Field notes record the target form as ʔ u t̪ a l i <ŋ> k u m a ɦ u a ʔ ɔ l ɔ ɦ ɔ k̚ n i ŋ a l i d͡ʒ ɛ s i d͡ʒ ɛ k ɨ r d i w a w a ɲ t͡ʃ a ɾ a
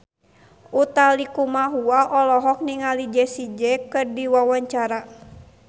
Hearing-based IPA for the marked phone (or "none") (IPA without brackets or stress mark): none